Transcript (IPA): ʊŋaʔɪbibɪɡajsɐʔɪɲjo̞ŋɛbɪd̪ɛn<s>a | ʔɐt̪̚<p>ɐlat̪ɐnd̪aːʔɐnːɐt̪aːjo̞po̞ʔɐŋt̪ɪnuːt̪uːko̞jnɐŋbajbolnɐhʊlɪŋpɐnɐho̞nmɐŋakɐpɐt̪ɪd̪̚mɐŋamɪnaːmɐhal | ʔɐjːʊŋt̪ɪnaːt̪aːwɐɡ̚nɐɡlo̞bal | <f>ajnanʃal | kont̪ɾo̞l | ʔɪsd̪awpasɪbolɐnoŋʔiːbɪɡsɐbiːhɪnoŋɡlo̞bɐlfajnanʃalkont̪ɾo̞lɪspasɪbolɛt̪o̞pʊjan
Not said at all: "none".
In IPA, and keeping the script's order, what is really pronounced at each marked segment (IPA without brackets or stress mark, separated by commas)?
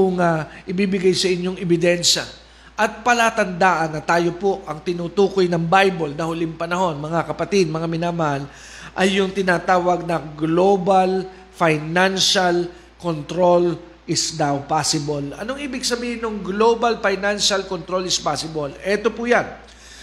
ʃ, p, f